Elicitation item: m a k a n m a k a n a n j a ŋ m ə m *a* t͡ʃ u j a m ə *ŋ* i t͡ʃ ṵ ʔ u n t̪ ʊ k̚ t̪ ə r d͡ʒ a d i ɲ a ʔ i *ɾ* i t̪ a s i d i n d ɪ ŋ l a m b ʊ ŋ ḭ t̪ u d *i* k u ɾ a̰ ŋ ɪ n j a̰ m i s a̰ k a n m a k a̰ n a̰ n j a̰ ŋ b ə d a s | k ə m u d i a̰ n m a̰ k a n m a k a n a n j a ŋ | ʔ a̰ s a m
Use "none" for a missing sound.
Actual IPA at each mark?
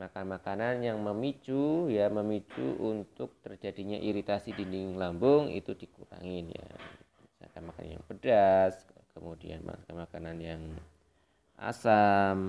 i, m, ɾ, i

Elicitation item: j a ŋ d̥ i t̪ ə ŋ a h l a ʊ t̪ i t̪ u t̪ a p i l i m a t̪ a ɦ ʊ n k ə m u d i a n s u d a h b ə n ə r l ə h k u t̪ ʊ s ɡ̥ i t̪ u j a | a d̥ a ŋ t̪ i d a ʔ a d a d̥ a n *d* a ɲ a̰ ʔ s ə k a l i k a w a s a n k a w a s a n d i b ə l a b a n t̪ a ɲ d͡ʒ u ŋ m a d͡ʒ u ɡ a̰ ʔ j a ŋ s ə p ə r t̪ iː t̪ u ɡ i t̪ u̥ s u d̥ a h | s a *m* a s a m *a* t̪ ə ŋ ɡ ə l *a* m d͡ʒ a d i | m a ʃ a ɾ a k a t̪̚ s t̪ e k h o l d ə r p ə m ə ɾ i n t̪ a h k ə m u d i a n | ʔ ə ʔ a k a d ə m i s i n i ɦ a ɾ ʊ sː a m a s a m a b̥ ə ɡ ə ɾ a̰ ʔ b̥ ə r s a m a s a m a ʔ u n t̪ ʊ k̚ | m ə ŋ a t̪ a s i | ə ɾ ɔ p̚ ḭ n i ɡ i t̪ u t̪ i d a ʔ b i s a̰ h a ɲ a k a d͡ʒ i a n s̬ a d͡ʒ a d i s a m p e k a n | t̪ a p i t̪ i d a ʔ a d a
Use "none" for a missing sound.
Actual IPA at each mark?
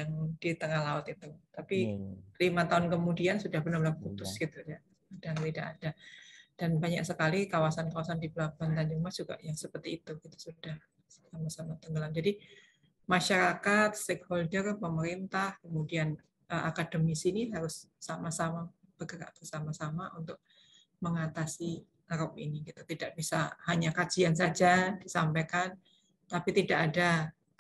b, m, a, a

